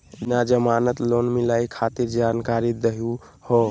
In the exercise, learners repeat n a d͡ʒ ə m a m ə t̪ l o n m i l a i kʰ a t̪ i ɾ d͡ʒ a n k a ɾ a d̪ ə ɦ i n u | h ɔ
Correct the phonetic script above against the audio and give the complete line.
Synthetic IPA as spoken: n a d͡ʒ ə m a n ə t̪ l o n m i l a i kʰ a t̪ i ɾ d͡ʒ a n k a ɾ i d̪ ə ɦ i u | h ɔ